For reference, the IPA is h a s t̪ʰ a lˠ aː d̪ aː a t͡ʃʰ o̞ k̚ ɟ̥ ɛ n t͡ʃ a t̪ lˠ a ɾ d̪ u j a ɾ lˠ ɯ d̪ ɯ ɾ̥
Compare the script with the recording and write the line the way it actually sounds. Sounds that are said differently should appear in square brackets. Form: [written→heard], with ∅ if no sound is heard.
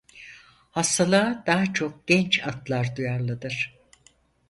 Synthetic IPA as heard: h a s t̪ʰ a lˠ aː d̪ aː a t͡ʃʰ o̞ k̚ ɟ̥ ɛ n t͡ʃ a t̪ lˠ a ɾ d̪ u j a ɾ lˠ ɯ d̪ ɯ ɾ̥